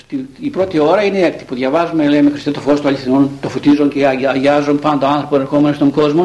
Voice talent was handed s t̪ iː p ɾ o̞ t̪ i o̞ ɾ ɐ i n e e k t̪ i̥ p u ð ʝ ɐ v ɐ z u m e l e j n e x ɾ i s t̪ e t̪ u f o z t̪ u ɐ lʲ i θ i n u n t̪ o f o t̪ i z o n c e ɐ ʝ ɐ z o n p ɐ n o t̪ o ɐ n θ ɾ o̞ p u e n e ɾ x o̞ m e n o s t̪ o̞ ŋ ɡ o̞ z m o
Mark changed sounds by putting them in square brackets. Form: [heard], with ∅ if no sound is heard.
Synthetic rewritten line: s t̪ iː p ɾ o̞ t̪ i o̞ ɾ ɐ i n e e k t̪ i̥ p u ð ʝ ɐ v ɐ z u m e l e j [m] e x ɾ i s t̪ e t̪ [o] f o [s] t̪ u ɐ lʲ i θ i n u n t̪ o f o t̪ i z o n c e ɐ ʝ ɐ z o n p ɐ n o t̪ o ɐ n θ ɾ o̞ p [o] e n e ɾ x o̞ m e n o s t̪ o̞ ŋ ɡ o̞ z m o